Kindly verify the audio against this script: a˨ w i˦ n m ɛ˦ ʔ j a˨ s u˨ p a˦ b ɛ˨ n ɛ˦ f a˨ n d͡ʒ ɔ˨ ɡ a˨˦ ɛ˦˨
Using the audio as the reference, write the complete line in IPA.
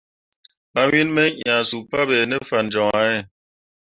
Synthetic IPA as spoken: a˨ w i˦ n m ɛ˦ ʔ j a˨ s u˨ p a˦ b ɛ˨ n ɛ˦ f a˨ n d͡ʒ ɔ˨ ŋ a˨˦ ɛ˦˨